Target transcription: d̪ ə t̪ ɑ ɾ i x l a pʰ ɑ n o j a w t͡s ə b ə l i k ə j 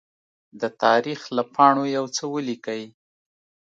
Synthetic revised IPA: d̪ ə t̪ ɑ ɾ i x l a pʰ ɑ ɳ o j a w t͡s ə w ə l i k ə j